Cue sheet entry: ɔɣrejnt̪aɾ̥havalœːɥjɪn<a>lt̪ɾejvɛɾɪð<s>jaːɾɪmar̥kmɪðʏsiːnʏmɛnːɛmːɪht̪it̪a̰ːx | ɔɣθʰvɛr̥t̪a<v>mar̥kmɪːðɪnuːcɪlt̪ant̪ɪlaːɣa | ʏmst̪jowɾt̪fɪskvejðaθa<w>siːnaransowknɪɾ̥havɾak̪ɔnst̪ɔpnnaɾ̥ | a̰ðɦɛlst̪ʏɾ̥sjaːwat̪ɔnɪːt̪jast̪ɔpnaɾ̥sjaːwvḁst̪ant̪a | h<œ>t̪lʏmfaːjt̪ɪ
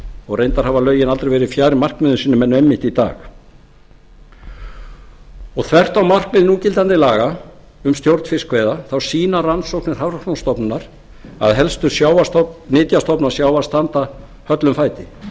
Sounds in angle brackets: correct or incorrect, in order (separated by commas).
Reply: correct, incorrect, incorrect, correct, correct